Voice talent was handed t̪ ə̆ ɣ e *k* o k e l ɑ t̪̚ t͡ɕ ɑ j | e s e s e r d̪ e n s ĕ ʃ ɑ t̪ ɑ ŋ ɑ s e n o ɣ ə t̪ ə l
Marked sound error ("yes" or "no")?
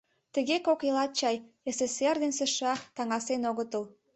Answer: no